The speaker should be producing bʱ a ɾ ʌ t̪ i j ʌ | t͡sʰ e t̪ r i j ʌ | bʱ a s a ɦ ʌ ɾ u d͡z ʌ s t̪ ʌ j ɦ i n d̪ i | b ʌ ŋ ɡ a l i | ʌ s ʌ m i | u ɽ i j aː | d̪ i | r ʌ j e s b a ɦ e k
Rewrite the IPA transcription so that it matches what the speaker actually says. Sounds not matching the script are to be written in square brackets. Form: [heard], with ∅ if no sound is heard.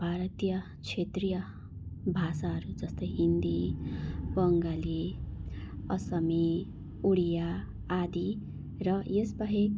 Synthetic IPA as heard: bʱ a ɾ ʌ t̪ i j ʌ | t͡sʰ e t̪ r i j ʌ | bʱ a s a ɦ ʌ ɾ u d͡z ʌ s t̪ ʌ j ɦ i n d̪ i | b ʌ ŋ ɡ a l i | ʌ s ʌ m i | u ɽ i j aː | d̪ i | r ʌ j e s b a ɦ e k